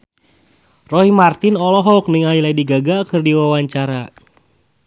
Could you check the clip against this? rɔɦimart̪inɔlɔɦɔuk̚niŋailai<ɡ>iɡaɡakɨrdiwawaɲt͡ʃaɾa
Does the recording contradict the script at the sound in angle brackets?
yes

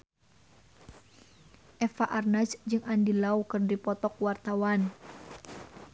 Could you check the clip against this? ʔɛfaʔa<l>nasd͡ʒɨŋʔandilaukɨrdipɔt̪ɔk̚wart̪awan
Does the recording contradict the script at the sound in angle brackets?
yes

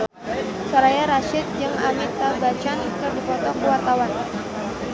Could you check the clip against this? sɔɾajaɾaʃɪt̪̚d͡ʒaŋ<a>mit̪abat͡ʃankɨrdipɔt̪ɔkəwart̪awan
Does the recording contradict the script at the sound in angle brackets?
no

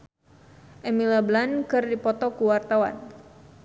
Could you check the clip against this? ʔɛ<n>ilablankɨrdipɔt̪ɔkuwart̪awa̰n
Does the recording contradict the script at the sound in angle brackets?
yes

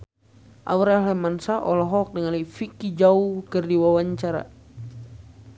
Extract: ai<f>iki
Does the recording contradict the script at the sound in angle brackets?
no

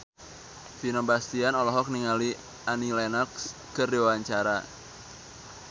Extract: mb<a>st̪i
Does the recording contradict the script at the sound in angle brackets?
no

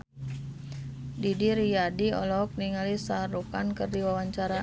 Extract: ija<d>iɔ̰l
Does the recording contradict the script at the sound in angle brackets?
no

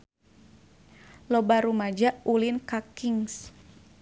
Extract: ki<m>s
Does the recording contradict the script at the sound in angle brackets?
yes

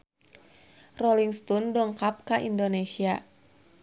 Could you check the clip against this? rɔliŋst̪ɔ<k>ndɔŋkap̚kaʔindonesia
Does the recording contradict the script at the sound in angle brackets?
yes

